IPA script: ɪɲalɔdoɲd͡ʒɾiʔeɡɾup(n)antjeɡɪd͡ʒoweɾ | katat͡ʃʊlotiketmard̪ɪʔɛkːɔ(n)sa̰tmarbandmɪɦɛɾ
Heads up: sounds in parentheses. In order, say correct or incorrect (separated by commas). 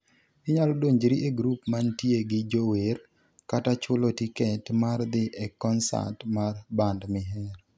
incorrect, correct